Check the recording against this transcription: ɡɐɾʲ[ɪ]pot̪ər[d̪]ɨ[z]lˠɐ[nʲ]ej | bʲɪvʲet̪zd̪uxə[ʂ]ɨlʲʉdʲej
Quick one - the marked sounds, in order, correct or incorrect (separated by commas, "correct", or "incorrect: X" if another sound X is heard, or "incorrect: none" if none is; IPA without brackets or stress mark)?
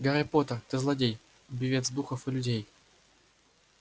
correct, incorrect: t̪, correct, incorrect: dʲ, incorrect: f